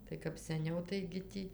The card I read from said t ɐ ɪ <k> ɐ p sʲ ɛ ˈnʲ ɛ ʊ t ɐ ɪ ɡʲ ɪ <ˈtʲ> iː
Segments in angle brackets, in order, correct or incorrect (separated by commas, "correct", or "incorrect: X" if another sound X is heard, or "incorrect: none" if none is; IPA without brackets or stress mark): correct, correct